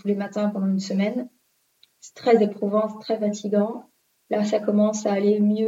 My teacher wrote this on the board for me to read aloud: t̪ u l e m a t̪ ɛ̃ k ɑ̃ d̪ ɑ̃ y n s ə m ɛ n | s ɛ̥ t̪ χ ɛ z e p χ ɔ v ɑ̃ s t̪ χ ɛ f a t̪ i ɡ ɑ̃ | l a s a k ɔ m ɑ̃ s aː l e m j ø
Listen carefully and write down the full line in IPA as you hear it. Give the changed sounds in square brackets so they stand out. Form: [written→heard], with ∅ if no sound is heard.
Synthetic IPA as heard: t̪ u l e m a t̪ ɛ̃ [k→p] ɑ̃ d̪ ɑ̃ y n s ə m ɛ n | s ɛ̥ t̪ χ ɛ z e p χ [ɔ→u] v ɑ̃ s t̪ χ ɛ f a t̪ i ɡ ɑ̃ | l a s a k ɔ m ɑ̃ s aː l e m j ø